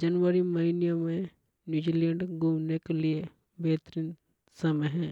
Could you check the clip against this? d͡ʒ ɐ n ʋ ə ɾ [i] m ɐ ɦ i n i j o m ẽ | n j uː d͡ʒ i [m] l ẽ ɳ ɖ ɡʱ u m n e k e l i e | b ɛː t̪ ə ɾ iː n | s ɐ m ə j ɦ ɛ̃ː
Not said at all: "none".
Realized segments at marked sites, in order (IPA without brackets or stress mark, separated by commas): i, none